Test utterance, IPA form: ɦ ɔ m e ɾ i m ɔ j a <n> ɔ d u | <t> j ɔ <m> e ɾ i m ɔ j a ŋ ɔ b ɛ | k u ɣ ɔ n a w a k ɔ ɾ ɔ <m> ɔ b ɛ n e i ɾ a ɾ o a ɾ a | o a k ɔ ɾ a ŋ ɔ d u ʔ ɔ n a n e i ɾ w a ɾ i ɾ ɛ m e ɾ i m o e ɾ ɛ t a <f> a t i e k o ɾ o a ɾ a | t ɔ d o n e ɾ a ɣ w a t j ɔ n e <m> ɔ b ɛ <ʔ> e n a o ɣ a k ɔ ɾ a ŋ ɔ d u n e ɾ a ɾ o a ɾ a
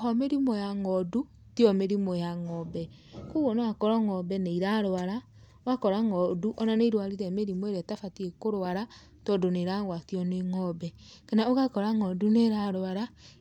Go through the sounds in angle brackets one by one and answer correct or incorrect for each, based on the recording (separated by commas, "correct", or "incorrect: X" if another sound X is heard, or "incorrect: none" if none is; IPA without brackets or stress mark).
incorrect: ŋ, correct, correct, incorrect: ŋ, correct, incorrect: ŋ, incorrect: k